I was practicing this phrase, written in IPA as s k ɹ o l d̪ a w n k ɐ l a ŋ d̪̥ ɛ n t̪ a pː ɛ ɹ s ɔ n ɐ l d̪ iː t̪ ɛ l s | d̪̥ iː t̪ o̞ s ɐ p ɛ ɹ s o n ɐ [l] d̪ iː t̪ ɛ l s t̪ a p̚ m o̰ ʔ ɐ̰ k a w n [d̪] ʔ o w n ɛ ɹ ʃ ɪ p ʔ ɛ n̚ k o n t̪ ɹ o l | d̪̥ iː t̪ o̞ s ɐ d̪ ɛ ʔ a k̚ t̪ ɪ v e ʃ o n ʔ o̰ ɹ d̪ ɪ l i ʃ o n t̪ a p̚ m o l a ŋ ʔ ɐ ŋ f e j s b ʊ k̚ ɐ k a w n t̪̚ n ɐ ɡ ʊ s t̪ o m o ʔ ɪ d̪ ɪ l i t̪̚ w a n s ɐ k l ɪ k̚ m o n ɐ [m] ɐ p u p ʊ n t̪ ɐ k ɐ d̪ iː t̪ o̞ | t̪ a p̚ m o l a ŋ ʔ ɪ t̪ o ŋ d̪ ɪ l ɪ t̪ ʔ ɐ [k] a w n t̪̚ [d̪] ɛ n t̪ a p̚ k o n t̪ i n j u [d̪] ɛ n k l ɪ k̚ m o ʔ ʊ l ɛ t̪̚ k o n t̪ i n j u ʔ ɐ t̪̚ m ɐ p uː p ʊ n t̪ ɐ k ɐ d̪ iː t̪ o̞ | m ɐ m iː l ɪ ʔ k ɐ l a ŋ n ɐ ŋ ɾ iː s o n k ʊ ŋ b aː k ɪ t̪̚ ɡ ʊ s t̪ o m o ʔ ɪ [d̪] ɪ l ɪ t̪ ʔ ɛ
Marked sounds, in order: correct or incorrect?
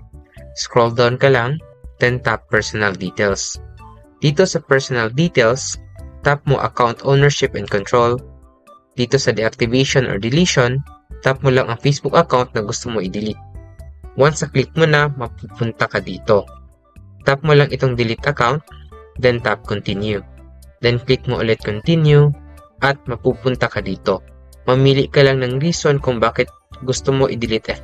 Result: correct, incorrect, correct, correct, correct, correct, correct

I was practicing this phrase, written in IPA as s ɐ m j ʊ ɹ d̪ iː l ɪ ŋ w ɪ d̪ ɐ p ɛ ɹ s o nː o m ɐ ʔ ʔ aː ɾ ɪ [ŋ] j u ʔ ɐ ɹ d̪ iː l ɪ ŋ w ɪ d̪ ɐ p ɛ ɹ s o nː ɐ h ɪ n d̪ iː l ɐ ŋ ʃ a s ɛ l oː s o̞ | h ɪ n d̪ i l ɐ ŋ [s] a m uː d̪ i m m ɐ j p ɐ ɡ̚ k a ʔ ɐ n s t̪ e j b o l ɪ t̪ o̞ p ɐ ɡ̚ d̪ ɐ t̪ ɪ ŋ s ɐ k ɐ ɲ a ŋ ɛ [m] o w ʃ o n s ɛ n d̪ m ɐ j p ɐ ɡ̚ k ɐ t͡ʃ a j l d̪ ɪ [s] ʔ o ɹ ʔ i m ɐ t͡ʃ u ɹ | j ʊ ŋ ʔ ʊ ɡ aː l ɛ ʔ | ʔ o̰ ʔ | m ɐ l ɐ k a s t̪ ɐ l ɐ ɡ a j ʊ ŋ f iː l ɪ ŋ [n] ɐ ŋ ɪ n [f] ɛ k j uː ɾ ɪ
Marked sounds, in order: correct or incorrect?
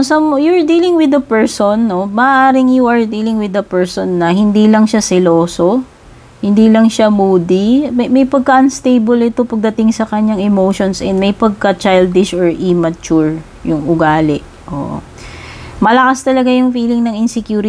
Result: correct, incorrect, correct, incorrect, correct, incorrect

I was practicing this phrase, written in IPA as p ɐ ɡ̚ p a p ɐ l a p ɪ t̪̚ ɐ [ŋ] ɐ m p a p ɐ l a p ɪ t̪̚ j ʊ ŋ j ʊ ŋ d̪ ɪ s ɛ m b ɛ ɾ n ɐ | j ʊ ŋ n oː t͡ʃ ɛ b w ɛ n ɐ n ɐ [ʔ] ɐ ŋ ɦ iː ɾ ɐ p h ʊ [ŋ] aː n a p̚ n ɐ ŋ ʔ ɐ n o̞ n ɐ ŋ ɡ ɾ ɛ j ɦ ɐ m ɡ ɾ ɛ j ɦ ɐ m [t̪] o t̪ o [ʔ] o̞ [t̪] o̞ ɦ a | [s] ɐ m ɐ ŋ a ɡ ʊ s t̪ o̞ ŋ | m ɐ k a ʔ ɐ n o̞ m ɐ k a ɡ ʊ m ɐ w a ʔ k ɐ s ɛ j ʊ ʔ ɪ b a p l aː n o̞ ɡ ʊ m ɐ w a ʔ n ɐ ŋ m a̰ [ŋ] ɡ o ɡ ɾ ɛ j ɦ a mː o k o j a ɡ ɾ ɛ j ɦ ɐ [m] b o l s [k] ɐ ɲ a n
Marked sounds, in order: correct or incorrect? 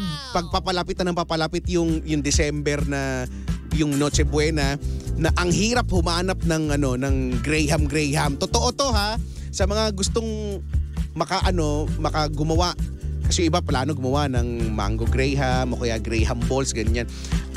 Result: incorrect, correct, incorrect, correct, correct, correct, correct, correct, correct, incorrect

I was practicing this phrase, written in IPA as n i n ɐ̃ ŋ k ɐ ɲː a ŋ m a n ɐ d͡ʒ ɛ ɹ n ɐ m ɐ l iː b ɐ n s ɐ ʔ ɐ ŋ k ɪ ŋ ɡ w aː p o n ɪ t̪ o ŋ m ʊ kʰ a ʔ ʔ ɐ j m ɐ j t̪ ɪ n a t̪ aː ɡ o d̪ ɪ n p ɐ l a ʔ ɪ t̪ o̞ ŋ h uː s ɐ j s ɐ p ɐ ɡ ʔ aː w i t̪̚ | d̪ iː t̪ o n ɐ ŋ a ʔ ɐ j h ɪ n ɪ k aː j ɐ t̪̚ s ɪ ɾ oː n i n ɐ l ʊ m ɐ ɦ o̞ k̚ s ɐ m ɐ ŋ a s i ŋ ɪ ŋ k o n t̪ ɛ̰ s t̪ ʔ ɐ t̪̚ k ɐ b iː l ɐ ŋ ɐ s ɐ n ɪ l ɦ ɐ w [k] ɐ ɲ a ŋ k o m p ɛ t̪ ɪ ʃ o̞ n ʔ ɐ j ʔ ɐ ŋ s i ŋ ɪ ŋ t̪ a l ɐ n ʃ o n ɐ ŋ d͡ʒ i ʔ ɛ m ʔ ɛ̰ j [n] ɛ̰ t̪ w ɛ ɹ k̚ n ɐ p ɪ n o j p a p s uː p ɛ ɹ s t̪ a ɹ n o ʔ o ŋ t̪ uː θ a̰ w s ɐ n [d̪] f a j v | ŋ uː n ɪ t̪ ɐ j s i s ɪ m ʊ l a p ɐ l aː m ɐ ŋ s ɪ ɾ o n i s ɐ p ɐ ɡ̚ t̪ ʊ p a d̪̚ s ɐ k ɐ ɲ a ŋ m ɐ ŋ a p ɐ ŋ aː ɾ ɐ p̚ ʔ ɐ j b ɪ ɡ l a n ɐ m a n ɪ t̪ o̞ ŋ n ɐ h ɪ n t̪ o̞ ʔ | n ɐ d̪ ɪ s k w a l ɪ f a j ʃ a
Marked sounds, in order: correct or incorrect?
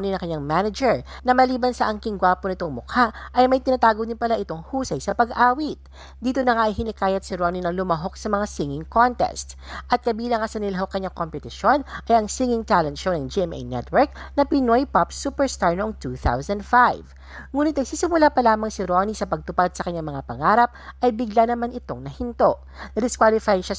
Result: correct, correct, correct

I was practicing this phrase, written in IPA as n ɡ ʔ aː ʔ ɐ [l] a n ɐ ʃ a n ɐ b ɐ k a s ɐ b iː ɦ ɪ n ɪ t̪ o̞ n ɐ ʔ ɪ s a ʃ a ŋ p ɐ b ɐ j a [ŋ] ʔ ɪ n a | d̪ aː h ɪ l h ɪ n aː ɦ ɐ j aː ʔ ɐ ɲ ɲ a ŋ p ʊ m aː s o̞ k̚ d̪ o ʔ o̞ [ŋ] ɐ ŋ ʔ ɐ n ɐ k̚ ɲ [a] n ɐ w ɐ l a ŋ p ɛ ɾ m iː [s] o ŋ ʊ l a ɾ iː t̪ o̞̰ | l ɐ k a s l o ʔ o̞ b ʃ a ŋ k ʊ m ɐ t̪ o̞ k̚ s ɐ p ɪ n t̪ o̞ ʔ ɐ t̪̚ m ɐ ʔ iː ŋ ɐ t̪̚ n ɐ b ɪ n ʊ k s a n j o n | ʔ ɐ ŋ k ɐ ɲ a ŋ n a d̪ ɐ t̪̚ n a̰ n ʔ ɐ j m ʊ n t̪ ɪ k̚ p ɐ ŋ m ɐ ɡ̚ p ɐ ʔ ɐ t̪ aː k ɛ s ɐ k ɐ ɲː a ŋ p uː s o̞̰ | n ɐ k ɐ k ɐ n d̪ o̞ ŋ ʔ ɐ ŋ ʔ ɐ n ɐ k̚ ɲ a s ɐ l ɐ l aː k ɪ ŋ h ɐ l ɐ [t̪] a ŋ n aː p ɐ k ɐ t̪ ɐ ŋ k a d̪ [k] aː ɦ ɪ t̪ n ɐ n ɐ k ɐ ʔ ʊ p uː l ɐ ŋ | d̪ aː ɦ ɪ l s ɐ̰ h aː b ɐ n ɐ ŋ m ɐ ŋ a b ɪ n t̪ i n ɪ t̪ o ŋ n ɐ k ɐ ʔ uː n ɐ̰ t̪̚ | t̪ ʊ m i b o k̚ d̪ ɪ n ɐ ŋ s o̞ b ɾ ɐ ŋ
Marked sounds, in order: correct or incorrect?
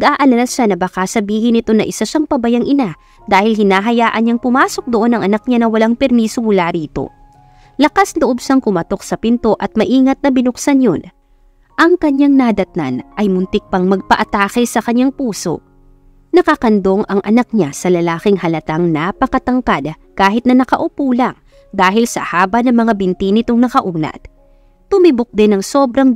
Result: correct, correct, incorrect, correct, correct, correct, correct

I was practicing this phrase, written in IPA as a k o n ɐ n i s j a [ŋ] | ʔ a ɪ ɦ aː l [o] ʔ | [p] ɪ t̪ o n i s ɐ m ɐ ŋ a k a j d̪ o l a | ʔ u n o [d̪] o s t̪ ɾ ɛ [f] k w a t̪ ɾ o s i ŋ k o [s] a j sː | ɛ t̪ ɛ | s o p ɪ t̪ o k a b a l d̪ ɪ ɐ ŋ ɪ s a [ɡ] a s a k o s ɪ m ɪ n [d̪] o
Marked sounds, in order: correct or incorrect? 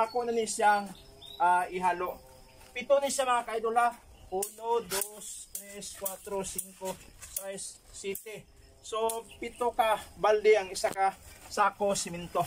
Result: correct, correct, correct, correct, incorrect, correct, incorrect, incorrect

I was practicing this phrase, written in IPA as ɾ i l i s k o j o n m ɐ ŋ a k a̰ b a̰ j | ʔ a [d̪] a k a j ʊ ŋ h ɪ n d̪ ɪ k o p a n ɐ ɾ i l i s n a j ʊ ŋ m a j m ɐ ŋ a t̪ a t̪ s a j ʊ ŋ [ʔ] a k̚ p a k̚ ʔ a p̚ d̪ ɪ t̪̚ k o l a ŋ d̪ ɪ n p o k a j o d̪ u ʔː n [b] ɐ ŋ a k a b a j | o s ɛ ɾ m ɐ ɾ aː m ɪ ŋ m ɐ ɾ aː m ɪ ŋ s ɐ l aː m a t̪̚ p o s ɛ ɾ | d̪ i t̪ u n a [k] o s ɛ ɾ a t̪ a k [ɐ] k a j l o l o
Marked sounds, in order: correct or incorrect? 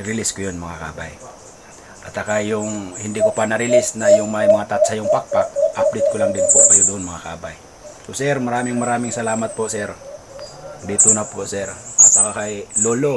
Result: incorrect, incorrect, incorrect, incorrect, incorrect

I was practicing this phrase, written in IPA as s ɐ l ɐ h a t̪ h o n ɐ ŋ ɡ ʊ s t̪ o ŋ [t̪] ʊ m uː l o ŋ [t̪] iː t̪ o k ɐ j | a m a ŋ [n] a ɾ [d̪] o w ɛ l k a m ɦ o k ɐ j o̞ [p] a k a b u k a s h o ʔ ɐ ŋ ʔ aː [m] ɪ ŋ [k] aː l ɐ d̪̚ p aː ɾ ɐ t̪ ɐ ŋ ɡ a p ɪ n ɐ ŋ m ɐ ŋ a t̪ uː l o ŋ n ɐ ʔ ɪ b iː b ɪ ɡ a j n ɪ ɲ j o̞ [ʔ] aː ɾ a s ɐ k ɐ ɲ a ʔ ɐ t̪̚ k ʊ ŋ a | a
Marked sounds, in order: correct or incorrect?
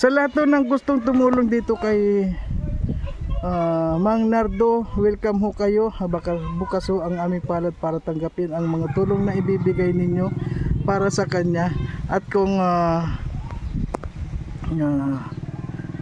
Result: correct, incorrect, correct, correct, incorrect, correct, incorrect, incorrect

